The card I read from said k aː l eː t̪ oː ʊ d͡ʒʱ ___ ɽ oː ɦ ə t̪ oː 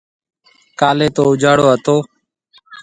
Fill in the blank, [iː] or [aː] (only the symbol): aː